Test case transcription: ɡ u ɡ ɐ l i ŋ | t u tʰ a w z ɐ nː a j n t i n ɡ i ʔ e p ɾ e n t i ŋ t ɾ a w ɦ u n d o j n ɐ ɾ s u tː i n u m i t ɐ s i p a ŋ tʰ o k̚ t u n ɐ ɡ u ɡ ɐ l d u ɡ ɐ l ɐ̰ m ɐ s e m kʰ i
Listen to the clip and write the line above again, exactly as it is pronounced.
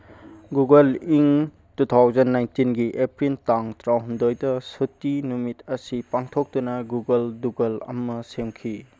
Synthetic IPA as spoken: ɡ u ɡ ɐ l i ŋ | t u tʰ a w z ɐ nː a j n t i n ɡ i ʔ e p ɾ i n t a ŋ t ɾ a w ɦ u n d o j d ɐ s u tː i n u m i t ɐ s i p a ŋ tʰ o k̚ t u n ɐ ɡ u ɡ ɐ l d u ɡ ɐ l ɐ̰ m ɐ s e m kʰ i